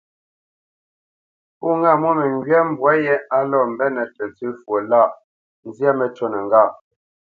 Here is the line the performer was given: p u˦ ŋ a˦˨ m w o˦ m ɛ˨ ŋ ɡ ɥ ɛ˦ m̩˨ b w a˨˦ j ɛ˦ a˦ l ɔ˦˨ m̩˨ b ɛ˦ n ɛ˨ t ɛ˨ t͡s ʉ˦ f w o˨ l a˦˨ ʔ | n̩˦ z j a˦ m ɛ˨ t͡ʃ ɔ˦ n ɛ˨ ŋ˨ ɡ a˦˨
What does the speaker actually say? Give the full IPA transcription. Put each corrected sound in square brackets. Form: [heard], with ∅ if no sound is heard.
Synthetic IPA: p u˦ ŋ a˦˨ m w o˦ m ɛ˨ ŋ ɡ ɥ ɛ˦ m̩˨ b w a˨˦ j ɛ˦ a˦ l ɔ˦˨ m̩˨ b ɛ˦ n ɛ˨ t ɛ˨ t͡s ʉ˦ f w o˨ l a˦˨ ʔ | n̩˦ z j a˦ m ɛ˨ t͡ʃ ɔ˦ n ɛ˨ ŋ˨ ɡ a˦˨